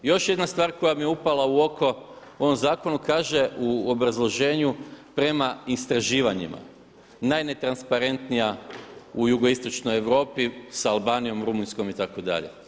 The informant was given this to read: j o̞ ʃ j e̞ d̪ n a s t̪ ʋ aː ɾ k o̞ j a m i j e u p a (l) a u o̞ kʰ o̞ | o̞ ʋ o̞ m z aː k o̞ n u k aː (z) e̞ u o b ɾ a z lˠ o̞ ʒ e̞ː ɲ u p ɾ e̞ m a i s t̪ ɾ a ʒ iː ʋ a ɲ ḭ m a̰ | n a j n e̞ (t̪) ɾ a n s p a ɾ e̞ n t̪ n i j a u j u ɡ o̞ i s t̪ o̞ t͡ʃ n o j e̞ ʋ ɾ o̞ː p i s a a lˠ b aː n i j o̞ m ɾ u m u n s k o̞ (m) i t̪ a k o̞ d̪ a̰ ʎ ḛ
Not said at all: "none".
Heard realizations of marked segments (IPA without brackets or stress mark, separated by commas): l, ʒ, t̪, m